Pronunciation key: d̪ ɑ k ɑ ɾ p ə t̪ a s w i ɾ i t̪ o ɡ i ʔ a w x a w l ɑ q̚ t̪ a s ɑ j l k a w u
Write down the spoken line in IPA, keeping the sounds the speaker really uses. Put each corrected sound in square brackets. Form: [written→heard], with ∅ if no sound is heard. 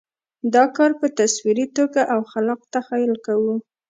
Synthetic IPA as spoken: d̪ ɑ k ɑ ɾ p ə t̪ a s w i ɾ i t̪ o ɡ [i→a] ʔ a w x a [w→∅] l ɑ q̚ t̪ a [s→x] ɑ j l k a w u

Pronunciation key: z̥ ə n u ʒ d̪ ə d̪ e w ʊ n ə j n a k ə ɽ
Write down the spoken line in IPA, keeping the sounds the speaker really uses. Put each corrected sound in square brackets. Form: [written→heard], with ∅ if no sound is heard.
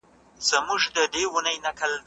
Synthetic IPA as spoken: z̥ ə [n→m] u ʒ d̪ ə d̪ e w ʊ n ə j n a k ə [ɽ→l]

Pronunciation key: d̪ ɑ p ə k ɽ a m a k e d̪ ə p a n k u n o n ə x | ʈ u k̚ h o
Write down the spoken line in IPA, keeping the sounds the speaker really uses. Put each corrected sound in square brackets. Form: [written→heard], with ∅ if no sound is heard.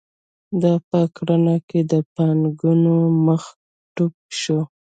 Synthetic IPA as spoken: d̪ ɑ p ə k ɽ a [m→n] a k e d̪ ə p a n [k→ɡ] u n o [n→m] ə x | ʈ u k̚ [h→ʃ] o

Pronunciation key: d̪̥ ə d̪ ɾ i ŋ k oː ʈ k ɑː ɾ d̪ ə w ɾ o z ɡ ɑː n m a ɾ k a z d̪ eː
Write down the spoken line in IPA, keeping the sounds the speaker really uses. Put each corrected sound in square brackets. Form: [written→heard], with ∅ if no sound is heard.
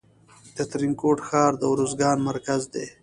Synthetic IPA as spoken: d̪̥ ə [d̪→t̪] ɾ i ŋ k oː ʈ [k→x] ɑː ɾ d̪ ə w ɾ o z ɡ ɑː n m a ɾ k a z d̪ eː

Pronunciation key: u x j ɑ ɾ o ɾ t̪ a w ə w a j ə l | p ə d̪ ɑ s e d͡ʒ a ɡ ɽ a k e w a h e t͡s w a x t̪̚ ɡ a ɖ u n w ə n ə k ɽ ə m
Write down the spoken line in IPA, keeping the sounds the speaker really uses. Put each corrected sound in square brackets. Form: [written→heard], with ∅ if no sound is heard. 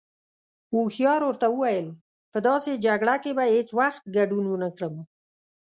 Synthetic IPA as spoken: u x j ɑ ɾ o ɾ t̪ a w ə w a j ə l | p ə d̪ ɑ s e d͡ʒ a ɡ ɽ a k e [w→b] a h e t͡s w a x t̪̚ ɡ a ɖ u n w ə n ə k ɽ ə m

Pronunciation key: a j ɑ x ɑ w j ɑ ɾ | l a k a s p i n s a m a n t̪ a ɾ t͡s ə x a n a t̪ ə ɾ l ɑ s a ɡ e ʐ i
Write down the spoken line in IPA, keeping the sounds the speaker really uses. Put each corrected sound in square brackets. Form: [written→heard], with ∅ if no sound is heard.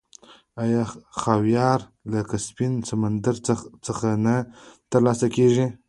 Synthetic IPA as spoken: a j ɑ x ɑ w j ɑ ɾ | l a k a s p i n s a m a n [t̪→d̪] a ɾ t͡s ə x a n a t̪ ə ɾ l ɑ s a [ɡ→k] e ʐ i

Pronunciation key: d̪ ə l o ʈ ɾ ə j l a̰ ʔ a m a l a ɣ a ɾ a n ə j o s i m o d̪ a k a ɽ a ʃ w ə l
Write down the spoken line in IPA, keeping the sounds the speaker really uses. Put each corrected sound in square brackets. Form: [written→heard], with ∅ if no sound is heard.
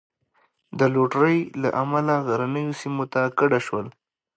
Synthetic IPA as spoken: d̪ ə l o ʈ ɾ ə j l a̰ ʔ a m a l a ɣ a ɾ a n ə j o s i m o [d̪→t̪] a k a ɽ a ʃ w ə l

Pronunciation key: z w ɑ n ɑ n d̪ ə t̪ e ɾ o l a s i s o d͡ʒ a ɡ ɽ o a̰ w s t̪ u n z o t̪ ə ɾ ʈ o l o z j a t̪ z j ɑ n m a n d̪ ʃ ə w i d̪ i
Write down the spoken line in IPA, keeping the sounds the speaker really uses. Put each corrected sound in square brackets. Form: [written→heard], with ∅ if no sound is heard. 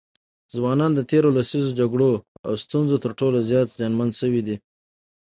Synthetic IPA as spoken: z w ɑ n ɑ n d̪ ə t̪ e ɾ o l a s i [s→z] o d͡ʒ a ɡ ɽ o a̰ w s t̪ u n z o t̪ ə ɾ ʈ o l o z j [a→ɑ] t̪ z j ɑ n m a n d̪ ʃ ə w i d̪ i

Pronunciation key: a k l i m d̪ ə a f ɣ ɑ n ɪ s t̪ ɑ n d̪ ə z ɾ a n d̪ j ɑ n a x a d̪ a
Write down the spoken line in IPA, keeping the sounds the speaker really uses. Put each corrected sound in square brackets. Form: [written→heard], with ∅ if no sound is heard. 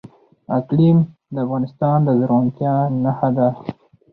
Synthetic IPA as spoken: a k l i m d̪ ə a f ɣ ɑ n ɪ s t̪ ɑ n d̪ ə z ɾ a n [d̪→t̪] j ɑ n a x a d̪ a

